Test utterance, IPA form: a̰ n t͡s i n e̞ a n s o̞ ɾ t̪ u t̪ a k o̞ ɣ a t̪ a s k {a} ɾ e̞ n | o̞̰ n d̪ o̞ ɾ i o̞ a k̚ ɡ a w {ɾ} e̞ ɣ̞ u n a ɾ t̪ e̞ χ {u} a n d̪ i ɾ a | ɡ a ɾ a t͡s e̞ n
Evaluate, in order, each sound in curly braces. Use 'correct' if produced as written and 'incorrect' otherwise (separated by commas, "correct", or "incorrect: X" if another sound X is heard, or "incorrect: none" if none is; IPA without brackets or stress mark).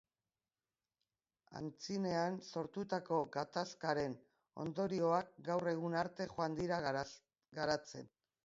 correct, incorrect: r, incorrect: o